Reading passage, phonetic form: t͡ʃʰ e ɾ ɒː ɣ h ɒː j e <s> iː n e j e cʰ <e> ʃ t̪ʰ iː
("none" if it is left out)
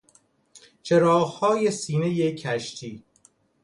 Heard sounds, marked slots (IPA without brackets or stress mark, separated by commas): s, æ